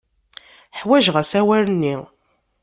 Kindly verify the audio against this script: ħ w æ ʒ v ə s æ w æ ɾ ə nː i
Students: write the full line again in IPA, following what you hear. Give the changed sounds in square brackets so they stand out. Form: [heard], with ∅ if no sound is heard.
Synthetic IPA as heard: ħ w æ ʒ [ʁ] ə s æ w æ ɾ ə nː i